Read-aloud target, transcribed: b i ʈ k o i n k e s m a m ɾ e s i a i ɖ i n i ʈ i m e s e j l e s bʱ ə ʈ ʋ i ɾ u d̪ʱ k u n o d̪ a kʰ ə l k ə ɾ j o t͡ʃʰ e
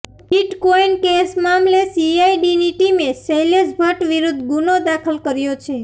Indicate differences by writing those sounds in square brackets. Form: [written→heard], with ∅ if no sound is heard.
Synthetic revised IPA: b i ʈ k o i n k e s m a m [ɾ→l] e s i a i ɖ i n i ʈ i m e s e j l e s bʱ ə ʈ ʋ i ɾ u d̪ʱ [k→ɡ] u n o d̪ a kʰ ə l k ə ɾ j o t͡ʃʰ e